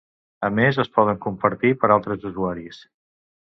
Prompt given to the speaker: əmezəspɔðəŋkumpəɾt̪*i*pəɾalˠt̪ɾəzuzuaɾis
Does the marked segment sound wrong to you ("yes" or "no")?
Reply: no